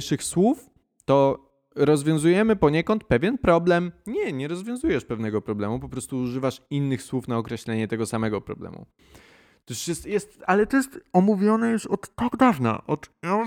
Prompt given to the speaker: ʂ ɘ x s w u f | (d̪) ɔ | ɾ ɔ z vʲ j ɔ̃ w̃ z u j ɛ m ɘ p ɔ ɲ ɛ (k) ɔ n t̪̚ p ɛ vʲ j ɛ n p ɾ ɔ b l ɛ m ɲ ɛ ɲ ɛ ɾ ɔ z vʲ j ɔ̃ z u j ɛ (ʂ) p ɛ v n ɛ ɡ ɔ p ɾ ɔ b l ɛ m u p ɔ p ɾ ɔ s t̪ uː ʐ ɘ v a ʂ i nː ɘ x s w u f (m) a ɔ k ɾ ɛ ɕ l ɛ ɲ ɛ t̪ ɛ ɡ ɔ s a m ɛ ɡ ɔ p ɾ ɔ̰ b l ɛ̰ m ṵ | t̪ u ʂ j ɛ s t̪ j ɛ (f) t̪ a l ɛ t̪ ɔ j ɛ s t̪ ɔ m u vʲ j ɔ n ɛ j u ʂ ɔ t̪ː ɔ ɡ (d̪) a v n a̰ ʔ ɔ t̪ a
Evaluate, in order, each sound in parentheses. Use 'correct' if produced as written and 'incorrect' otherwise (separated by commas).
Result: incorrect, correct, correct, incorrect, incorrect, correct